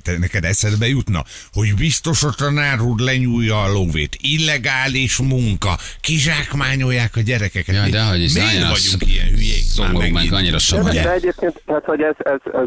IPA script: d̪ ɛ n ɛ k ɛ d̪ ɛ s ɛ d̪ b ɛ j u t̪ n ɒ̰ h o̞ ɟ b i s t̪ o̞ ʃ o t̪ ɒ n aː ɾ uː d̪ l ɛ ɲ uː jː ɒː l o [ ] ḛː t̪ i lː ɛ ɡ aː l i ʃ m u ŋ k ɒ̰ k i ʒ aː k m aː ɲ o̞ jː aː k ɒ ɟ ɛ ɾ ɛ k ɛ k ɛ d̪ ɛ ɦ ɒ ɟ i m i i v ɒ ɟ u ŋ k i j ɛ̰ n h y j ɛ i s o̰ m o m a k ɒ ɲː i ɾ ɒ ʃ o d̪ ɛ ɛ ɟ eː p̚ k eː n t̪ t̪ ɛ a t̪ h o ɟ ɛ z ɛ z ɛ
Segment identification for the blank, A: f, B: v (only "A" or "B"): B